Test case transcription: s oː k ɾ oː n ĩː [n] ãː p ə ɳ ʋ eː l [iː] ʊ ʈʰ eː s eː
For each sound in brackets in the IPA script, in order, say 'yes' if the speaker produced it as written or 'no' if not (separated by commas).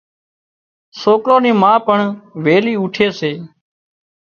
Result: no, yes